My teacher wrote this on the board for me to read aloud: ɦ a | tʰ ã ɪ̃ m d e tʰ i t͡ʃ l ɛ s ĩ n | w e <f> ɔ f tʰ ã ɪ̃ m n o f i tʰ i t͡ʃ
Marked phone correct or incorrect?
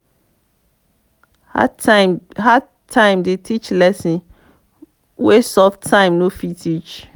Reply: incorrect